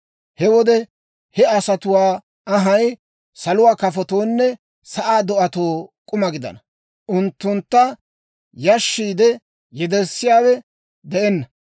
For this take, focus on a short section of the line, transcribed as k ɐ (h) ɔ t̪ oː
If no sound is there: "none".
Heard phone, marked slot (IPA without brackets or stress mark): f